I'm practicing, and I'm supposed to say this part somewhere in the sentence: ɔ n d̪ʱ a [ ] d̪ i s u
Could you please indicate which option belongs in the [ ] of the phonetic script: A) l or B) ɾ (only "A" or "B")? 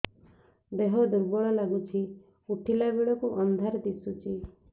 B